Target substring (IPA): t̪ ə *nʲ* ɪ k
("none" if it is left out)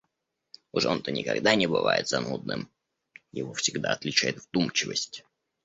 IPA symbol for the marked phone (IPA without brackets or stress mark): nʲ